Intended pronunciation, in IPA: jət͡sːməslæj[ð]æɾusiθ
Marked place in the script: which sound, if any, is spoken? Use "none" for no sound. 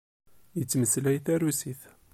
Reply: θ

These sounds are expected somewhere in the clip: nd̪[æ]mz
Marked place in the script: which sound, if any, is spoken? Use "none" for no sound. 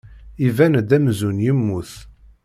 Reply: æ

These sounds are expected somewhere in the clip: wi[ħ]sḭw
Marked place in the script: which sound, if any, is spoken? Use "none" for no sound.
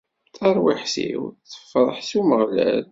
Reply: ħ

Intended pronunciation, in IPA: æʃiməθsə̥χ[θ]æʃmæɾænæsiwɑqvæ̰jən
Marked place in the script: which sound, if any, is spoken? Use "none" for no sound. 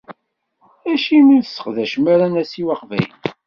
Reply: ð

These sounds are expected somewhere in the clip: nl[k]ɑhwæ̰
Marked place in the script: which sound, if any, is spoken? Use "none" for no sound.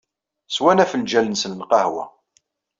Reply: q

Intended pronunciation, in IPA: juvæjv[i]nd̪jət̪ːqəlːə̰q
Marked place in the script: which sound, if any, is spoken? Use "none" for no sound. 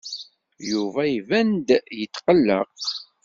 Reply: æ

